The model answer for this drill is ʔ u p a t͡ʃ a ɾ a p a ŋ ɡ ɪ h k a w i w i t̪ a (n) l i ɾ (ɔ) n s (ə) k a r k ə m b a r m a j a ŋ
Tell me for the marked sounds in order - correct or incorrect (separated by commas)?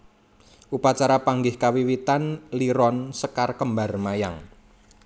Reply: correct, correct, correct